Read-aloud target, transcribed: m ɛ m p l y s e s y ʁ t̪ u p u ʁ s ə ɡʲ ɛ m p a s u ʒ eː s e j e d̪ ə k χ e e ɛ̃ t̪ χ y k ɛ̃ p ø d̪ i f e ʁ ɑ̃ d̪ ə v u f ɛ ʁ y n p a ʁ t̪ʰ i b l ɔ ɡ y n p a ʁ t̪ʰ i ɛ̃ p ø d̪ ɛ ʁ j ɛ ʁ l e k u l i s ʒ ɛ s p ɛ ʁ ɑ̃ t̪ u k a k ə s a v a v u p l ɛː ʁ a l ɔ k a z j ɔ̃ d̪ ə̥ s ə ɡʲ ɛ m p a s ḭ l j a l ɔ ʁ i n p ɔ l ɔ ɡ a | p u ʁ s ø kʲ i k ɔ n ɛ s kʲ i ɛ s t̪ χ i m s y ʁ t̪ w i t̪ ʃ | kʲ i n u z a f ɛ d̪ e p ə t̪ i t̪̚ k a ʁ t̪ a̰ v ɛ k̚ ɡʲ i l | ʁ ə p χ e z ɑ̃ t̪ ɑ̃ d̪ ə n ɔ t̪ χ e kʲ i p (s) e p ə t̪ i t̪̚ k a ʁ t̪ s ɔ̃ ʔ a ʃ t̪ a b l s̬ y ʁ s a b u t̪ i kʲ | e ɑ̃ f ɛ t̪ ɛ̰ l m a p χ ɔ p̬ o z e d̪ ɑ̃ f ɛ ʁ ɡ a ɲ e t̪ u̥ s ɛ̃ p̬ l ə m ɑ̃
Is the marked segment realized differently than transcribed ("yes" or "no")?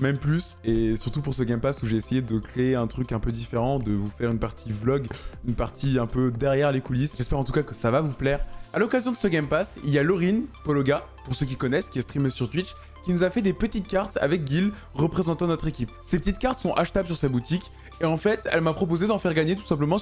no